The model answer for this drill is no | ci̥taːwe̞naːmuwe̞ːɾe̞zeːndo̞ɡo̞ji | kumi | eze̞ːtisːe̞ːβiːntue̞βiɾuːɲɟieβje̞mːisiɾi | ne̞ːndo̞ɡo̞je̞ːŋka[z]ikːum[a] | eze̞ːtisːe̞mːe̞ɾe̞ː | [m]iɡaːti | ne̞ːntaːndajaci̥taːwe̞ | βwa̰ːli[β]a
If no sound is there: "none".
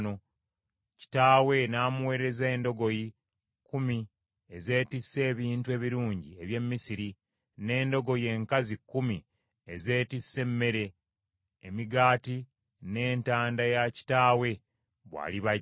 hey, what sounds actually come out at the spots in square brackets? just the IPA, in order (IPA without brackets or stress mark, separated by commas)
z, i, m, β